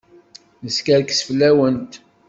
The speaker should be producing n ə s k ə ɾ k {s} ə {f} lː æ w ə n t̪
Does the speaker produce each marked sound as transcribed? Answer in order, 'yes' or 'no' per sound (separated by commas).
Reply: yes, yes